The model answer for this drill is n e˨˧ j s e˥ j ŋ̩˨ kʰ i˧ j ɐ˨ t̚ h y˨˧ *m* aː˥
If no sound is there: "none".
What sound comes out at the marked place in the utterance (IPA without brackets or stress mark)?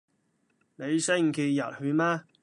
m